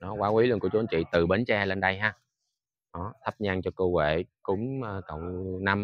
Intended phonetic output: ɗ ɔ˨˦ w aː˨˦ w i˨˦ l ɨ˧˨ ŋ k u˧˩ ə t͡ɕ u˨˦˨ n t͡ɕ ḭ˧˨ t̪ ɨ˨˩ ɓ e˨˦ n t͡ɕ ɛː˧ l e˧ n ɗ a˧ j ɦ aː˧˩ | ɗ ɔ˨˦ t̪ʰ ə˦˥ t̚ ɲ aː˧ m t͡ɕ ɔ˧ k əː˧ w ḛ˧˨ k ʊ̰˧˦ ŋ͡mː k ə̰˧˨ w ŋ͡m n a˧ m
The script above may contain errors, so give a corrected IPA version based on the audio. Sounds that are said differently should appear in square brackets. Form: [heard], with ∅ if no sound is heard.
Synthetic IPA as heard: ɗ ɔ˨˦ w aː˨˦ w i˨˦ l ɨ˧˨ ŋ k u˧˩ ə t͡ɕ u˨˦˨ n t͡ɕ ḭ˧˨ t̪ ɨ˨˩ ɓ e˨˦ n t͡ɕ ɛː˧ l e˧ n ɗ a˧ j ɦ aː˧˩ | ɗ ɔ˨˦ t̪ʰ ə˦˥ [p̚] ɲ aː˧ [ŋ] t͡ɕ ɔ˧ k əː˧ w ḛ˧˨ k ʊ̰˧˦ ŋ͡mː k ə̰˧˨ w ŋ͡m n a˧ m

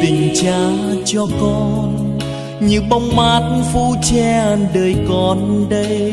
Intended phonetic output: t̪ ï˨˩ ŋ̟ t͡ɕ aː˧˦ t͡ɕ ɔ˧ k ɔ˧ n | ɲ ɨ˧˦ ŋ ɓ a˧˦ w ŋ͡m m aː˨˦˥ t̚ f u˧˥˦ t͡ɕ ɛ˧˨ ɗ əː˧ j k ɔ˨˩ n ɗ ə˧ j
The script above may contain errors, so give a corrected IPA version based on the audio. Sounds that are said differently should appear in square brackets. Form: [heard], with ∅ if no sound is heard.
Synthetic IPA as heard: t̪ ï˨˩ ŋ̟ t͡ɕ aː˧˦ t͡ɕ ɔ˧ k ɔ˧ n | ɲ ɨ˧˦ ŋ ɓ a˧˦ w ŋ͡m m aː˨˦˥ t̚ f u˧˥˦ t͡ɕ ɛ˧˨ ɗ [əː˨˩] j k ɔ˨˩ n ɗ ə˧ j

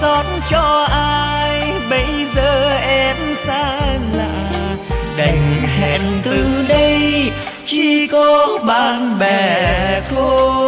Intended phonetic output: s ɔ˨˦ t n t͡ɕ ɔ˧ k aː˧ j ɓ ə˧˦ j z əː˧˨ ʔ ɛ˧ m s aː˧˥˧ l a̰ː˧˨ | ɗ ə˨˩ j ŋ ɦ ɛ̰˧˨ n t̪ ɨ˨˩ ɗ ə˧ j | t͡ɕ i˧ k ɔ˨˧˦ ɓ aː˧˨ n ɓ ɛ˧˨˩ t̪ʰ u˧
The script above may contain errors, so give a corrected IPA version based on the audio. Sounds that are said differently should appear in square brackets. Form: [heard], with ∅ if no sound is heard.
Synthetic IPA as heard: s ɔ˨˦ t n t͡ɕ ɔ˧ [ʔ] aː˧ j ɓ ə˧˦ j z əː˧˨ ʔ ɛ˧ m s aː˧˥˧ l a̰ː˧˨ | ɗ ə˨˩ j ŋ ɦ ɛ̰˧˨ n t̪ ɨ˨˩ ɗ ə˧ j | t͡ɕ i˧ k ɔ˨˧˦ ɓ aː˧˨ n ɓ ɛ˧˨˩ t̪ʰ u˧

